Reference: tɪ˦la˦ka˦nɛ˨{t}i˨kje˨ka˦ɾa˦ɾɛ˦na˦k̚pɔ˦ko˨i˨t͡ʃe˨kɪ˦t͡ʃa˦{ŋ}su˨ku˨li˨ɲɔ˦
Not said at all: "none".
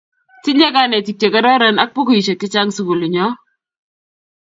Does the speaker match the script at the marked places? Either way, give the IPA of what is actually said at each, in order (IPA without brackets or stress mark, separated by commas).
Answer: t, ŋ